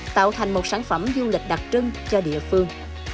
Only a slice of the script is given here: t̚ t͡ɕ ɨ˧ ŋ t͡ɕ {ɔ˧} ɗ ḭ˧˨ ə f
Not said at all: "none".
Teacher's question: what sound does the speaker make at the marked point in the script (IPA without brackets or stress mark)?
ɔ˧